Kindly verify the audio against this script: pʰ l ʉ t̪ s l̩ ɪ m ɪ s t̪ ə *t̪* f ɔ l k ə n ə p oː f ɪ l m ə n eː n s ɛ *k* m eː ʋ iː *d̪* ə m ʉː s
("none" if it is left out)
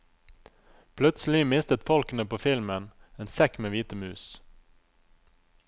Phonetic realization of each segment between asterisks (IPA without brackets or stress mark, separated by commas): t̪, k, t̪